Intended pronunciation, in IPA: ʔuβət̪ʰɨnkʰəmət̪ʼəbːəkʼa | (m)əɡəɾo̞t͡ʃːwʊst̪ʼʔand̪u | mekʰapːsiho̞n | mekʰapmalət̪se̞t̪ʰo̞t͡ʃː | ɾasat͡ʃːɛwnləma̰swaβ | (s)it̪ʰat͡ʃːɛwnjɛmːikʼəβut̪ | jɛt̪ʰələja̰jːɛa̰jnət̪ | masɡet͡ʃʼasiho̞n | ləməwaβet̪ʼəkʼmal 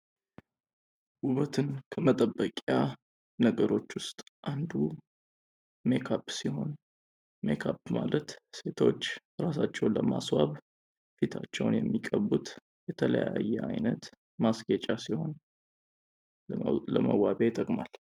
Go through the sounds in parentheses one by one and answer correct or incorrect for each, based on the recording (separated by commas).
incorrect, incorrect